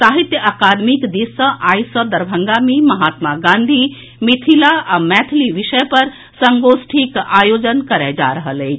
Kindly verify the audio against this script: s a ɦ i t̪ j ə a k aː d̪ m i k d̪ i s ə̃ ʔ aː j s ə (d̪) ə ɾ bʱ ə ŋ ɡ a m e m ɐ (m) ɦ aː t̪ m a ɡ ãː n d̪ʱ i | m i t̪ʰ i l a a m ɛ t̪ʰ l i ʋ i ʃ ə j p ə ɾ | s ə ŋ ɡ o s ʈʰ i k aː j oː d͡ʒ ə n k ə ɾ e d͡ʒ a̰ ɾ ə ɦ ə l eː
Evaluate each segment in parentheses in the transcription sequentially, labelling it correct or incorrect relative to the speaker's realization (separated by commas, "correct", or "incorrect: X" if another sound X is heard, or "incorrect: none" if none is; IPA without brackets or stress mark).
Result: correct, incorrect: none